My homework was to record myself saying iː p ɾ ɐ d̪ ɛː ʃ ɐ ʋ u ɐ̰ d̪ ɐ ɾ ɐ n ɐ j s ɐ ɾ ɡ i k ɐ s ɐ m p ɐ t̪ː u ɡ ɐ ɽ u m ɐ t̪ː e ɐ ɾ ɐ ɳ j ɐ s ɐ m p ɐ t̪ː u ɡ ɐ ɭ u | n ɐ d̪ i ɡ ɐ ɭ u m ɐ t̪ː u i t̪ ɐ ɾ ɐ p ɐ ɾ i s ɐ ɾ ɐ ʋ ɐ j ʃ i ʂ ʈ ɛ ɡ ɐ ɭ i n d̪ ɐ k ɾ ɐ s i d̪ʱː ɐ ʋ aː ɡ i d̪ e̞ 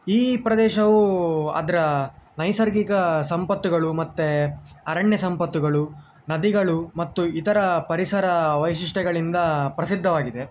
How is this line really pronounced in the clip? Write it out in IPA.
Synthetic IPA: iː p ɾ ɐ d̪ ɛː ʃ ɐ ʋ u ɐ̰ d̪ ɐ ɾ ɐ n ɐ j s ɐ ɾ ɡ i k ɐ s ɐ m p ɐ t̪ː u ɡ ɐ ɭ u m ɐ t̪ː e ɐ ɾ ɐ ɳ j ɐ s ɐ m p ɐ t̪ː u ɡ ɐ ɭ u | n ɐ d̪ i ɡ ɐ ɭ u m ɐ t̪ː u i t̪ ɐ ɾ ɐ p ɐ ɾ i s ɐ ɾ ɐ ʋ ɐ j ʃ i ʂ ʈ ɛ ɡ ɐ ɭ i n d̪ ɐ p ɾ ɐ s i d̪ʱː ɐ ʋ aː ɡ i d̪ e̞